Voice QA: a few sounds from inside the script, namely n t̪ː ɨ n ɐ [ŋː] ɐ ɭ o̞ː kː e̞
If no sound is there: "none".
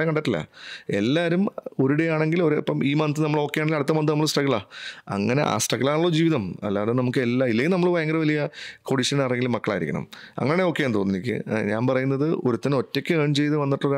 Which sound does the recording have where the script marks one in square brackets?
mː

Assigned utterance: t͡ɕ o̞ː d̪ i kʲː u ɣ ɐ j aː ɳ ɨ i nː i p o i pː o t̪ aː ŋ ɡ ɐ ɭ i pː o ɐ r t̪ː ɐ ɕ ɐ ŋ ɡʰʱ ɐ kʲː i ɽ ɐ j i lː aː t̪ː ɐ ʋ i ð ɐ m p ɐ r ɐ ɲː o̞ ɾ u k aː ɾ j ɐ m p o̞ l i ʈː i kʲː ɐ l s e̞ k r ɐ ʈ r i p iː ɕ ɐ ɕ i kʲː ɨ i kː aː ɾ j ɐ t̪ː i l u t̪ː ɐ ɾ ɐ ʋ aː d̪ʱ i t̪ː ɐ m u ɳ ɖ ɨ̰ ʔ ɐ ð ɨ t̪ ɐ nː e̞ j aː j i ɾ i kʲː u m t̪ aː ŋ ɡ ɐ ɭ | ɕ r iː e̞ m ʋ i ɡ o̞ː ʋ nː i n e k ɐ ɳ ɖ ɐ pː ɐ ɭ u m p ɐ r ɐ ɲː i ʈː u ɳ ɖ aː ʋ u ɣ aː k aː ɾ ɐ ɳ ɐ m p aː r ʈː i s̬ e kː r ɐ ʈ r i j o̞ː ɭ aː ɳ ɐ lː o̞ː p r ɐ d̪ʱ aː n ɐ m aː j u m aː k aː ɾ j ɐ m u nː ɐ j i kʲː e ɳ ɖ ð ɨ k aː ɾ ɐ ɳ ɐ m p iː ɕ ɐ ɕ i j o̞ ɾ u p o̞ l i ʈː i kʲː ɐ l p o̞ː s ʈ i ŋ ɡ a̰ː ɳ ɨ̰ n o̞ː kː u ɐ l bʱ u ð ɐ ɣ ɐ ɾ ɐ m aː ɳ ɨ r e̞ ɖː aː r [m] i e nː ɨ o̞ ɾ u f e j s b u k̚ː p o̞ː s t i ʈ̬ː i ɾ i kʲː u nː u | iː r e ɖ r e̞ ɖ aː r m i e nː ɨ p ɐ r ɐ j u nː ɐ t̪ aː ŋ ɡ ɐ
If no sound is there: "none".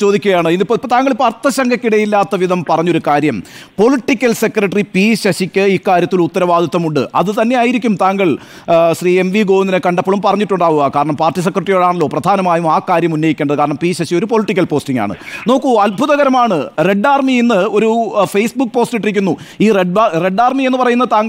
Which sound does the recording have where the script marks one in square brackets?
m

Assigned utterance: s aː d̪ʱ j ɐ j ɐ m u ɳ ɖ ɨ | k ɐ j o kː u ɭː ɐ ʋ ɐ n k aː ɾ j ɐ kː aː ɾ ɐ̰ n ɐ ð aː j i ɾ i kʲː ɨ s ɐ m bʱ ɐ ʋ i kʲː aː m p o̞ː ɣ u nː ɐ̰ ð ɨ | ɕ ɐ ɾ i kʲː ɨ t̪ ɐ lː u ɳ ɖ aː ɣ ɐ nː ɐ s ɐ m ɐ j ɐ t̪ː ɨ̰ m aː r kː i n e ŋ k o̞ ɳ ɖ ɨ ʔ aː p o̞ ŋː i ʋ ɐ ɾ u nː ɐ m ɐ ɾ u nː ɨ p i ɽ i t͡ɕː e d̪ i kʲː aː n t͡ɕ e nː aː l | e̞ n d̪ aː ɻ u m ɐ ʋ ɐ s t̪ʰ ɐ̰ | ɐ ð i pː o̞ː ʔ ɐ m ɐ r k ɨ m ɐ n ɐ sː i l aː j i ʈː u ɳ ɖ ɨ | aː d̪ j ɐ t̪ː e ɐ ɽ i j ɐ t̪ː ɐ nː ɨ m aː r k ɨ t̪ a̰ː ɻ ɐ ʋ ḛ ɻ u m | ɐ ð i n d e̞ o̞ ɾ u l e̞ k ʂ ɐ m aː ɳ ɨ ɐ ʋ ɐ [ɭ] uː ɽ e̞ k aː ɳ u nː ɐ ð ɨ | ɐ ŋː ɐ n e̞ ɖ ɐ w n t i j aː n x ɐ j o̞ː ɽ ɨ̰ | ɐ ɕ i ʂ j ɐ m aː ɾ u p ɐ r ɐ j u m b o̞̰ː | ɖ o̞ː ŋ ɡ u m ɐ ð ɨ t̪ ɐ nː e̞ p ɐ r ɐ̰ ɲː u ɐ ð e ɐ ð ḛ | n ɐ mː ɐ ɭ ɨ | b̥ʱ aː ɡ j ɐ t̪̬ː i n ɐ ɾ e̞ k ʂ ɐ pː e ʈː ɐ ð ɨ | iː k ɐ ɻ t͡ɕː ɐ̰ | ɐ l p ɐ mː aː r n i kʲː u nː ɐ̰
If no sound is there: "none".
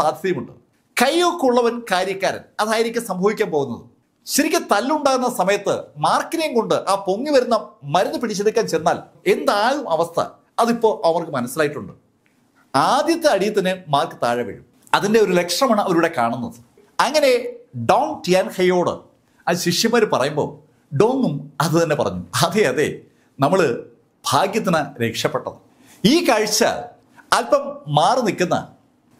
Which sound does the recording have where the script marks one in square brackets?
ɾ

